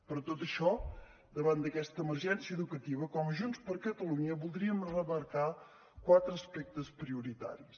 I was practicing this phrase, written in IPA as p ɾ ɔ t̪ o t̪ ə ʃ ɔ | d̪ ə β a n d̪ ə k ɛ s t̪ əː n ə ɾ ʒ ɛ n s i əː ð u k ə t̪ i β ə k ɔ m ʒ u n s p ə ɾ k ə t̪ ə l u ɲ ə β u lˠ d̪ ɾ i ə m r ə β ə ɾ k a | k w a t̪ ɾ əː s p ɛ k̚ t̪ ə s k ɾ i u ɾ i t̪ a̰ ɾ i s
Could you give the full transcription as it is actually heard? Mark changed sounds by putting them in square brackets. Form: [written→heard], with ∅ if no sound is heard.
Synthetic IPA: p ɾ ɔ t̪ o t̪ ə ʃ ɔ | d̪ ə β a n d̪ ə k ɛ s t̪ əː [n→m] ə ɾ ʒ ɛ n s i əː ð u k ə t̪ i β ə k ɔ m ʒ u n s p ə ɾ k ə t̪ ə l u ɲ ə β u lˠ d̪ ɾ i ə m r ə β ə ɾ k a | k w a t̪ ɾ əː s p ɛ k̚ t̪ ə s [k→p] ɾ i u ɾ i t̪ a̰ ɾ i s